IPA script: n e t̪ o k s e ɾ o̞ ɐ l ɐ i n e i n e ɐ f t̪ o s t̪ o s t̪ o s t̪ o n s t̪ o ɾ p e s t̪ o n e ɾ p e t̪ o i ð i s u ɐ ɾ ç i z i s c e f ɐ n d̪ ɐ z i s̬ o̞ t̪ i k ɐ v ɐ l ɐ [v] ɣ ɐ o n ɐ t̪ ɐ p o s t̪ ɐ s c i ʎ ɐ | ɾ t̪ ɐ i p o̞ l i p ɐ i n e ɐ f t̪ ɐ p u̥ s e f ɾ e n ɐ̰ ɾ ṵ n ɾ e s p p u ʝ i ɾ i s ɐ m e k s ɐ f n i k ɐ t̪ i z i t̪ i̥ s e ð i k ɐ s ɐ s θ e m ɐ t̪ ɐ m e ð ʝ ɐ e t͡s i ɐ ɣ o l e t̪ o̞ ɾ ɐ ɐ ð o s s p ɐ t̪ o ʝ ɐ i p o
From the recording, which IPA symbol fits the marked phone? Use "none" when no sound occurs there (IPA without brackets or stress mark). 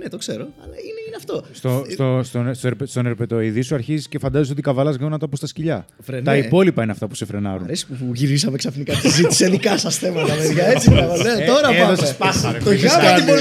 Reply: z